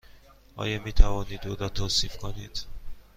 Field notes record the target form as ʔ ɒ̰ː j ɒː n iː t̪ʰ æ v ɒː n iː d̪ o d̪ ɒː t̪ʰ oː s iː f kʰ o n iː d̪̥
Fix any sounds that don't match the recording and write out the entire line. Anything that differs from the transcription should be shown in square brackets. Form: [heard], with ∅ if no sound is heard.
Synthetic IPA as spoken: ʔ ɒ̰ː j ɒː [m] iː t̪ʰ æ v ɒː n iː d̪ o d̪ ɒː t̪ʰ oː s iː f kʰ o n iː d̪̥

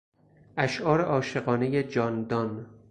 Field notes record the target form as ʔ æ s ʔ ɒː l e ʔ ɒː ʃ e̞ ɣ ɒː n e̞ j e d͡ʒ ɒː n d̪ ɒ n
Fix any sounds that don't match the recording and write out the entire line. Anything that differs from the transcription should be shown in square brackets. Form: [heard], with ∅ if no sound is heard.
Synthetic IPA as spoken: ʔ æ [ʃ] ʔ ɒː [ɾ] e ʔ ɒː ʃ e̞ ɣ ɒː n e̞ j e d͡ʒ ɒː n d̪ ɒ n

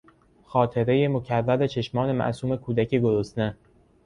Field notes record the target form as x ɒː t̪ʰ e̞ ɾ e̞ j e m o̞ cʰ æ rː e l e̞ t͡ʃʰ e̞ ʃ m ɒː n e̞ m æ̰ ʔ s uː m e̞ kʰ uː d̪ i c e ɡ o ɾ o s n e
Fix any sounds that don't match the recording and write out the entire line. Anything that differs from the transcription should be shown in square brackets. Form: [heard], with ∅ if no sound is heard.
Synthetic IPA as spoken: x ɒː t̪ʰ e̞ ɾ e̞ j e m o̞ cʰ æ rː [æ] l e̞ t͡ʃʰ e̞ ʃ m ɒː n e̞ m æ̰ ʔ s uː m e̞ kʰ uː d̪ [æ] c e ɡ o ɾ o s n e

